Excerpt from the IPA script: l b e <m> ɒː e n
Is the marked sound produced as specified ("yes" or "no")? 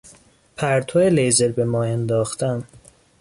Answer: yes